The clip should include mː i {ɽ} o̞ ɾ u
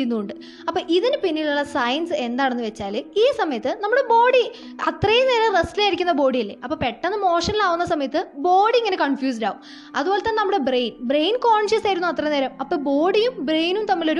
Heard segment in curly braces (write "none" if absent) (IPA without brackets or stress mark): l